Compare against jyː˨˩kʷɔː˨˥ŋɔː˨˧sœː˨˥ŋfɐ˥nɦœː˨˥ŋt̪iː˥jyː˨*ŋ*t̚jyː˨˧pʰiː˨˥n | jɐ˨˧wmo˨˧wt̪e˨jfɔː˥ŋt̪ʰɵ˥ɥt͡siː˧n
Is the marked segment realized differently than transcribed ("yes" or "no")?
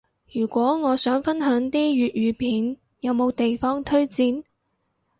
yes